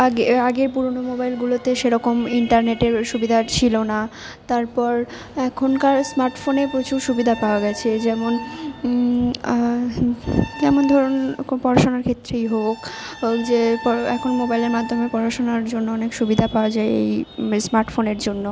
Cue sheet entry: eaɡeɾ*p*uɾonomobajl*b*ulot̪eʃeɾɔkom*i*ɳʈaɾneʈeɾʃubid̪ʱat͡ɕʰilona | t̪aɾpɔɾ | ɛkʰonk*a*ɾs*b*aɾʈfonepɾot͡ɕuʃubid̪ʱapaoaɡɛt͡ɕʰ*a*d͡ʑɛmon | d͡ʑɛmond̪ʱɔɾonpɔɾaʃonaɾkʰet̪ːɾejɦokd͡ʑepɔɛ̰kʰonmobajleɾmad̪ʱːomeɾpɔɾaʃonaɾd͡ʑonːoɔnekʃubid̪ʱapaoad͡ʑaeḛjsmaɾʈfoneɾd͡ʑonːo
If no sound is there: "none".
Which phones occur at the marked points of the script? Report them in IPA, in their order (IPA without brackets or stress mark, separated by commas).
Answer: p, ɡ, i, a, m, e